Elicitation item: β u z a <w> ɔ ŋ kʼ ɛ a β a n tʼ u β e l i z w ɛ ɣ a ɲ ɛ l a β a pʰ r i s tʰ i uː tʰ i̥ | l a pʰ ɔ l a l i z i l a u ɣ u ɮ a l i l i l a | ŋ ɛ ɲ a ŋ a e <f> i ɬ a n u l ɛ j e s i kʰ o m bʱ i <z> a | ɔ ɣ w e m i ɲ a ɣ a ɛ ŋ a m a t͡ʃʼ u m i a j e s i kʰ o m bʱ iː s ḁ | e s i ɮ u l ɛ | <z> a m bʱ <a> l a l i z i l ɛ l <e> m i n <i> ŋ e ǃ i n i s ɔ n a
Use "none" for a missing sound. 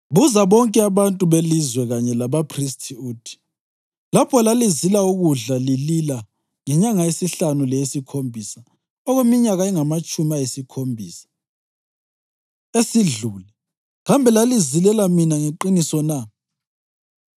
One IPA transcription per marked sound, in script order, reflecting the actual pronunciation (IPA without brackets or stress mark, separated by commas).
β, s, s, ɣ, ɛ, a, a